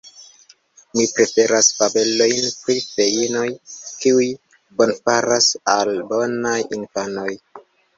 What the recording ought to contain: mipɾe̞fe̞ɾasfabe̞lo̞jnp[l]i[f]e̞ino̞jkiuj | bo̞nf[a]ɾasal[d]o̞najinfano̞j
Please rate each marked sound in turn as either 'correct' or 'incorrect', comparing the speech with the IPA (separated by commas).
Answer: incorrect, correct, correct, incorrect